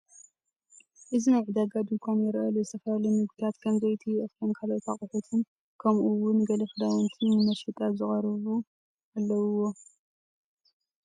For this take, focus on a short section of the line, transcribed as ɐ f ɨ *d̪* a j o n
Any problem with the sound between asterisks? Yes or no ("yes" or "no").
no